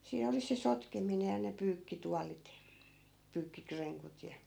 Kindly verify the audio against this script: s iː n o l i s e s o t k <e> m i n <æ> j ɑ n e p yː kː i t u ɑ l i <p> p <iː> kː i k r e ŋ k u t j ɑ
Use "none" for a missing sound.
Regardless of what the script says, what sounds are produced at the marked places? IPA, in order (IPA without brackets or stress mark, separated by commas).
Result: e, e, t, yː